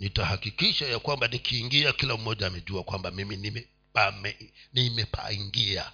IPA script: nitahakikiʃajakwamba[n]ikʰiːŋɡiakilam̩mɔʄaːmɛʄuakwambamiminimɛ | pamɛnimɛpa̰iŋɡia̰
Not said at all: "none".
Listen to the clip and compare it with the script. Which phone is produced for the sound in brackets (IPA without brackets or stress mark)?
n